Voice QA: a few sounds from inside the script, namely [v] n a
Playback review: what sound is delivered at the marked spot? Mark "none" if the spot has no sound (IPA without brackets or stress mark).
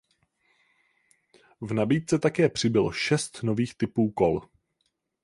v